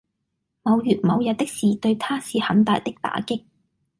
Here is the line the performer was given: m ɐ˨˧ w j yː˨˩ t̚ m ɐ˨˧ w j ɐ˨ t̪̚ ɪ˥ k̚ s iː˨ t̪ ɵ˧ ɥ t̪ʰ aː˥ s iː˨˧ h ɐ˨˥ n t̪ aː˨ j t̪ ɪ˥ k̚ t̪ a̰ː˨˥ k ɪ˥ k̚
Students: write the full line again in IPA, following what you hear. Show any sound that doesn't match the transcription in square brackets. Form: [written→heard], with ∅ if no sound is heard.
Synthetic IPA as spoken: m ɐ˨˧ w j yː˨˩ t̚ m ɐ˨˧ w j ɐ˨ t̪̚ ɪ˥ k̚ s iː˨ t̪ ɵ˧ ɥ t̪ʰ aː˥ s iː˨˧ h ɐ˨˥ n t̪ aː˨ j t̪ ɪ˥ k̚ t̪ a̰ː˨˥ k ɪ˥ k̚